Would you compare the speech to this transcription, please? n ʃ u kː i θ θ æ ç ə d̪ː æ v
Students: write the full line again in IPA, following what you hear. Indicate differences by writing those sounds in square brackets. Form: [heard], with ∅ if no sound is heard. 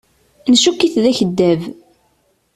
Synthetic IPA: n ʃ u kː i θ [ð] æ ç ə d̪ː æ v

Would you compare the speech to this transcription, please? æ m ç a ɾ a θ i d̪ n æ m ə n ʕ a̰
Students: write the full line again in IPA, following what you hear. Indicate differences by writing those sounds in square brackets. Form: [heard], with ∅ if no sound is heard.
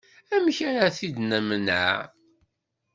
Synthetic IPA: æ m ç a ɾ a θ i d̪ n æ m ə n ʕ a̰

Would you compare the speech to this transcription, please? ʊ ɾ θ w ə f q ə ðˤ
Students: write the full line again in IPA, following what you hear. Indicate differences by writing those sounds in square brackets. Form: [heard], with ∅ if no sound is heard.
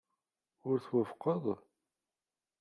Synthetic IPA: ʊ ɾ θ w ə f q ə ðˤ

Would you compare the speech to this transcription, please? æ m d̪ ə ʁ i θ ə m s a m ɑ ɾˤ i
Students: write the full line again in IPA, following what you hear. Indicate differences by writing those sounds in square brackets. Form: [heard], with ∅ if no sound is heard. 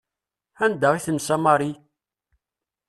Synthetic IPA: æ [n] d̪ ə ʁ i θ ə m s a m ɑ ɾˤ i

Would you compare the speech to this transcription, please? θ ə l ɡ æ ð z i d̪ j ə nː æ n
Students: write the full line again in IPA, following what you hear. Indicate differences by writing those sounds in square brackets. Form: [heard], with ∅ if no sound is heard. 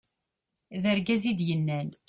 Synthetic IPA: [ð] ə [ɾ] ɡ æ [∅] z i d̪ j ə nː æ n

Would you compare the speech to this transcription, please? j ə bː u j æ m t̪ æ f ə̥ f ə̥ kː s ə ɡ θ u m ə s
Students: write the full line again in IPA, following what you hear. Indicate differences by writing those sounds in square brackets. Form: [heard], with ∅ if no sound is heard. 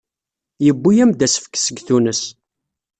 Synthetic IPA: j ə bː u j æ m [d̪] æ [s] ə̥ f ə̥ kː s ə ɡ θ u [n] ə s

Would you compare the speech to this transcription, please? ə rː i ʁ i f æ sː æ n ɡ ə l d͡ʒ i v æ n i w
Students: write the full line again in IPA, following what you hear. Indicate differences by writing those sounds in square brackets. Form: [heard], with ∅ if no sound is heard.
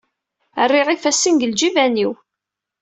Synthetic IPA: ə rː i ʁ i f æ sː [i] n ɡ ə l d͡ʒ i v æ n i w

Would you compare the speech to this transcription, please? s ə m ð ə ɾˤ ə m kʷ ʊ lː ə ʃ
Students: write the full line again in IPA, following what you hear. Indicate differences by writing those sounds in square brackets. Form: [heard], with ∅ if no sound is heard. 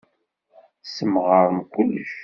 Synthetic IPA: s ə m [ʁ] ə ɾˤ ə m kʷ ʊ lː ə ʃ

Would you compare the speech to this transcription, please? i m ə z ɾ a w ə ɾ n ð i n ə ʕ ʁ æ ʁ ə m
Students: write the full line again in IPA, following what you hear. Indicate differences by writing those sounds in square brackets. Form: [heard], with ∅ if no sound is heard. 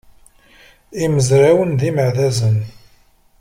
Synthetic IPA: i m ə z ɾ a w ə [∅] n ð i [m] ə ʕ [ð] æ [z] ə [n]

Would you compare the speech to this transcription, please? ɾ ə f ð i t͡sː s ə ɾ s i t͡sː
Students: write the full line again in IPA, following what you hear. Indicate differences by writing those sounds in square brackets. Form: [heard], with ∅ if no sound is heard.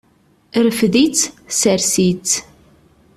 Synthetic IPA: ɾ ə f ð i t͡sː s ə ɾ s i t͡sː

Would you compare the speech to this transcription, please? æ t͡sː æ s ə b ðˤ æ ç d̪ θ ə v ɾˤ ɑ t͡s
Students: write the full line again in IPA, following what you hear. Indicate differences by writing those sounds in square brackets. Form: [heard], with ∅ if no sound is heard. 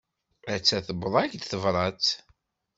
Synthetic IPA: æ t͡sː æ [θ] ə b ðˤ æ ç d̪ θ ə v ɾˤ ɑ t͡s

